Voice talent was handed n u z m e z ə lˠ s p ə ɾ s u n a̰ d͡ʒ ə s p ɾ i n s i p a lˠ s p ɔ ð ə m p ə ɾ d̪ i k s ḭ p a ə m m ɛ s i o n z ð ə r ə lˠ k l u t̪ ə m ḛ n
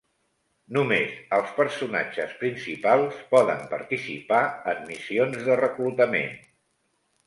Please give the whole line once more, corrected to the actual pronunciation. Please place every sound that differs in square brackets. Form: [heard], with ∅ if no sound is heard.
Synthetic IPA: n u [∅] m e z ə lˠ s p ə ɾ s u n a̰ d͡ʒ ə s p ɾ i n s i p a lˠ s p ɔ ð ə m p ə ɾ [t̪] i [∅] s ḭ p a ə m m [i] s i o n z ð ə r ə [∅] k l u t̪ ə m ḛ n